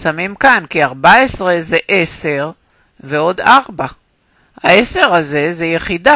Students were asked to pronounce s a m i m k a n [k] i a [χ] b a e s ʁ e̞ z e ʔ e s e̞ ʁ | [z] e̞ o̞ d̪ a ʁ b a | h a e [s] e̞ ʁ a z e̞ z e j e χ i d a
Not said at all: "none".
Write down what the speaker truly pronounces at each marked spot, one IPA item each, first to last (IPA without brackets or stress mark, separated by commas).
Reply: k, ʁ, v, s